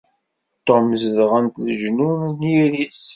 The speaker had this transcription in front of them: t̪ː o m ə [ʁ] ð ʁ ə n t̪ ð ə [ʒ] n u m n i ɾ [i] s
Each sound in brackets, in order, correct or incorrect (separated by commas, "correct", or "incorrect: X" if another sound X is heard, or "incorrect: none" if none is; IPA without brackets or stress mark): incorrect: z, correct, correct